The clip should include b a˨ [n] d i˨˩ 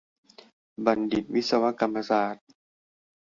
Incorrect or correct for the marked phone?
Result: correct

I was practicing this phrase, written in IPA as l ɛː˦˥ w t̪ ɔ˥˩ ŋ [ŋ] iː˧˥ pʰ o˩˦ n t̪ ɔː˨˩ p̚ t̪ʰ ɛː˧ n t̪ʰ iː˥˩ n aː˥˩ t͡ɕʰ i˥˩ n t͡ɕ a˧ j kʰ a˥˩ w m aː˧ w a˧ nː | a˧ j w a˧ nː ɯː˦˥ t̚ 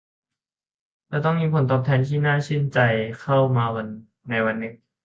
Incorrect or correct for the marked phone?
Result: incorrect: m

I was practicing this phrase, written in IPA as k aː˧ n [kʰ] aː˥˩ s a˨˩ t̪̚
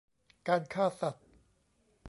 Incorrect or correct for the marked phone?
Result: correct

